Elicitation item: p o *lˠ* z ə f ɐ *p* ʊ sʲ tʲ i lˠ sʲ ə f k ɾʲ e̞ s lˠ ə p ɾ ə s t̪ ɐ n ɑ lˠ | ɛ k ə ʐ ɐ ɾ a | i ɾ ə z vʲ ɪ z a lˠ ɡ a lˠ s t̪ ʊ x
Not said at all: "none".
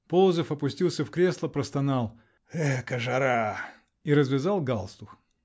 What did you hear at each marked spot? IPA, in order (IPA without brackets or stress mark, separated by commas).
lˠ, p